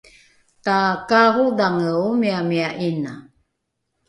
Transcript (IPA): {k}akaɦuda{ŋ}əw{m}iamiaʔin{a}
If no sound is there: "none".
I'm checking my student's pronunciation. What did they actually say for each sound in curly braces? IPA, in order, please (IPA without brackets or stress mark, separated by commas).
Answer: t, ŋ, m, a